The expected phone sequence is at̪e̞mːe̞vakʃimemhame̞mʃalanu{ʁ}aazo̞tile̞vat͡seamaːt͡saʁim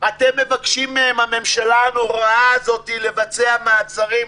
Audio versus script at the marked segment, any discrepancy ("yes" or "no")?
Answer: no